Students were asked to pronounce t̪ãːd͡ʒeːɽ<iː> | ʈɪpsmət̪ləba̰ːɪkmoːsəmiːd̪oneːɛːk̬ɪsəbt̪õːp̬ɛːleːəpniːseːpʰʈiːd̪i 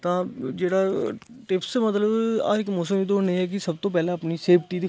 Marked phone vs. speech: incorrect: aː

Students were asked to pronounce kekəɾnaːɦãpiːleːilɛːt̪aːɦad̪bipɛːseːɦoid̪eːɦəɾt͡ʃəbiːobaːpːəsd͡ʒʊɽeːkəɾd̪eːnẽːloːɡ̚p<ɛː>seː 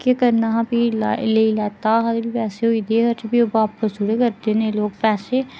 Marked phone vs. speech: correct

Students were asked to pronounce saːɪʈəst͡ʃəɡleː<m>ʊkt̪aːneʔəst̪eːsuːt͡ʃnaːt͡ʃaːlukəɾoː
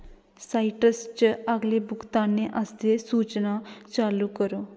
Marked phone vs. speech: incorrect: b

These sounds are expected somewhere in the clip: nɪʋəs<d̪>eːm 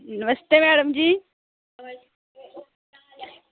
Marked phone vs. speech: incorrect: t̪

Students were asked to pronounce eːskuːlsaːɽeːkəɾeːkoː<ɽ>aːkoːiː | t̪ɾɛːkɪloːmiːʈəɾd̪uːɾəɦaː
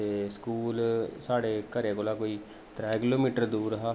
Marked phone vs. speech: incorrect: l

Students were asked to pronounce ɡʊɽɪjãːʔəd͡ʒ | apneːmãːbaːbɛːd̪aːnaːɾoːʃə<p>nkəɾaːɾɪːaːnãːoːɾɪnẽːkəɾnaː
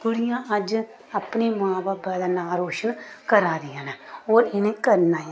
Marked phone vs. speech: incorrect: none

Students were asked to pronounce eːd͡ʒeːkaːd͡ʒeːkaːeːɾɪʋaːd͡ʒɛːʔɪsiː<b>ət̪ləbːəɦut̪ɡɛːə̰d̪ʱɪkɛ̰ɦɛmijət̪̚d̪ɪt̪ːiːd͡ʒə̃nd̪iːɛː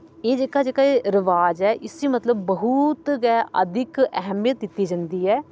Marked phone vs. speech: incorrect: m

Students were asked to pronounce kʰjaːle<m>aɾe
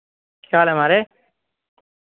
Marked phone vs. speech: correct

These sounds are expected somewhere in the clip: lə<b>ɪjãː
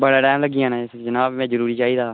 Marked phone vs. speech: incorrect: ɡ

